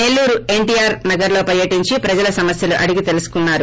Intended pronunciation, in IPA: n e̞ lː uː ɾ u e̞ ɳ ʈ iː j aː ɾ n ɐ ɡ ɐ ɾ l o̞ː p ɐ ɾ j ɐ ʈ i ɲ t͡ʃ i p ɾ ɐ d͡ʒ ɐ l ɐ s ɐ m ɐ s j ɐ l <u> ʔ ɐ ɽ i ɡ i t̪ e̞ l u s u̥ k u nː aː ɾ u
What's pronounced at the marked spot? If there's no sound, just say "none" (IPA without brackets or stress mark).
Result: u